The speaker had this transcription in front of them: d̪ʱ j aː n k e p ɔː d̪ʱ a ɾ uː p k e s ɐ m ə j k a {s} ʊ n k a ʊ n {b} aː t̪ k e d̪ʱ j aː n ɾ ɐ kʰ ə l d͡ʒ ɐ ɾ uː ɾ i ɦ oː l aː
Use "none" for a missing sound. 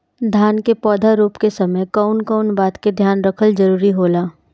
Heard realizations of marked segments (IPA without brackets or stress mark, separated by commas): none, b